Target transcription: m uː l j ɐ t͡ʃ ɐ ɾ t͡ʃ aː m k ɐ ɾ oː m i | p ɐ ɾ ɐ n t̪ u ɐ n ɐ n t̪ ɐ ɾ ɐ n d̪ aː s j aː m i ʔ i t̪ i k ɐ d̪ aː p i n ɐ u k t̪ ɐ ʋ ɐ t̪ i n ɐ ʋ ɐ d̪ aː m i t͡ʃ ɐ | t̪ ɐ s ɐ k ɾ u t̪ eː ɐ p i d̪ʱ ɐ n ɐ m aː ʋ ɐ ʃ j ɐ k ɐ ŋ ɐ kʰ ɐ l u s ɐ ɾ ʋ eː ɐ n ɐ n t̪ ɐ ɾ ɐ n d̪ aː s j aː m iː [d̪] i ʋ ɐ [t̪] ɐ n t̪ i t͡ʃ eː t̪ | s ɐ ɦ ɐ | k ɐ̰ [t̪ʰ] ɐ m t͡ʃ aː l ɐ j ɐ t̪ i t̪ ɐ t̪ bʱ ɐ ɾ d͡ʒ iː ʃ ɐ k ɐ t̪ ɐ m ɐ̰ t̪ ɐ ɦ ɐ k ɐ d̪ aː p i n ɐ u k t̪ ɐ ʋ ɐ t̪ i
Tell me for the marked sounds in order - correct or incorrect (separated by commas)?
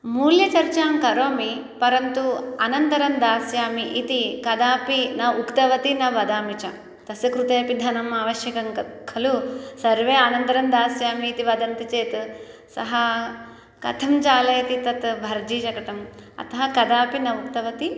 incorrect, incorrect, correct